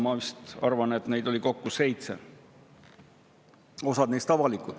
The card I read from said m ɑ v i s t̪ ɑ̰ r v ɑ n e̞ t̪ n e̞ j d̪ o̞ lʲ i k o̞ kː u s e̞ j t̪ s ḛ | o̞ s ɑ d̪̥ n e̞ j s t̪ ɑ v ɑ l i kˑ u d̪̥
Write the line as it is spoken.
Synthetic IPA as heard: m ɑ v i s t̪ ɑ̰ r v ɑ n e̞ t̪ n e̞ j d̪ o̞ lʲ i k o̞ kː u s e̞ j t̪ s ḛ | o̞ s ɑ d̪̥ n e̞ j s t̪ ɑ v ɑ l i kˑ u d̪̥